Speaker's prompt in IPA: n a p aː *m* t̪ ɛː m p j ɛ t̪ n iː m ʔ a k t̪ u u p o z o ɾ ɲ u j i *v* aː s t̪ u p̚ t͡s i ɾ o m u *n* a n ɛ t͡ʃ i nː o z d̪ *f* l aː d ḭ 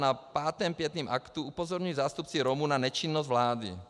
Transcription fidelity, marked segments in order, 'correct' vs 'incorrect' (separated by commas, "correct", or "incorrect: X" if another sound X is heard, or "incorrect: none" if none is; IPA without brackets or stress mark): incorrect: none, incorrect: z, correct, incorrect: v